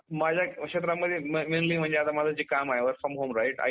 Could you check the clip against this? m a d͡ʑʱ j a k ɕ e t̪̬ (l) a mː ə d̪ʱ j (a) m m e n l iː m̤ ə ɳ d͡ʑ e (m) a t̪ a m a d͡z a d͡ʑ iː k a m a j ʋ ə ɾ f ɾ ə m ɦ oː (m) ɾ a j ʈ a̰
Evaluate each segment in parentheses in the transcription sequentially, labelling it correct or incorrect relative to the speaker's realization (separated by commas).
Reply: incorrect, incorrect, incorrect, correct